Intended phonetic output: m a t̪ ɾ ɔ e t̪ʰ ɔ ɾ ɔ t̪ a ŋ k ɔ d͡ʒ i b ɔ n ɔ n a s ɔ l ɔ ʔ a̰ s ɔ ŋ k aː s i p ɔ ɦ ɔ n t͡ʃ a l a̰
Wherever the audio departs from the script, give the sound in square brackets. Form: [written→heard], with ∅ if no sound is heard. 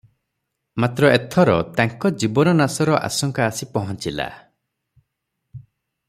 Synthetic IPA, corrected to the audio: m a t̪ ɾ ɔ e t̪ʰ ɔ ɾ ɔ t̪ a ŋ k ɔ d͡ʒ i b ɔ n ɔ n a s ɔ [l→ɾ] ɔ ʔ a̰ s ɔ ŋ k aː s i p ɔ ɦ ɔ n t͡ʃ [a→i] l a̰